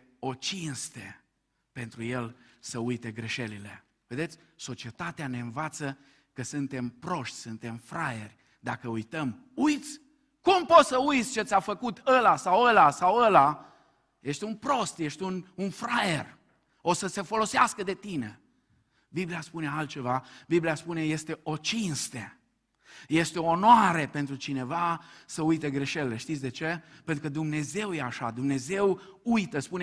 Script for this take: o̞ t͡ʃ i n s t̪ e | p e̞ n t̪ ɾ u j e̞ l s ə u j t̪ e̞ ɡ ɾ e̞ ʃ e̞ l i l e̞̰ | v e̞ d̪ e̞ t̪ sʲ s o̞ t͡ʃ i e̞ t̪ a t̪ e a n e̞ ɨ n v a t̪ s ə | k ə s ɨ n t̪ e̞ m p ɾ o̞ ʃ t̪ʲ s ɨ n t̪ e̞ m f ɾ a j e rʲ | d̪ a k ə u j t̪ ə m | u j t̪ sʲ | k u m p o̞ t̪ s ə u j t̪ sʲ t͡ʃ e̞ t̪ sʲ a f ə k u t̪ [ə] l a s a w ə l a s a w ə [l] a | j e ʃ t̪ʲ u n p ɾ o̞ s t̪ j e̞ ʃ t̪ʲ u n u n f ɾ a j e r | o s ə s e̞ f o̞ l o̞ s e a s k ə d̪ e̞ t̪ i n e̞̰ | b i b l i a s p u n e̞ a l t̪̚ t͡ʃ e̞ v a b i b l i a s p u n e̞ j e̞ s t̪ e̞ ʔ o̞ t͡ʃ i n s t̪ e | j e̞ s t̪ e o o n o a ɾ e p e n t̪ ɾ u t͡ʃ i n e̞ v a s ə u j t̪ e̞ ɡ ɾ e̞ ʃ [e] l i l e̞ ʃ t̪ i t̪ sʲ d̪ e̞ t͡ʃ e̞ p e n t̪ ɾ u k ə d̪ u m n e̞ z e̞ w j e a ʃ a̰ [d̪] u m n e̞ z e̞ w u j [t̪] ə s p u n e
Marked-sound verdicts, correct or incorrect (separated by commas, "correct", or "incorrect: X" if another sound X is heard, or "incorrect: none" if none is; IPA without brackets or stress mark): correct, correct, correct, correct, correct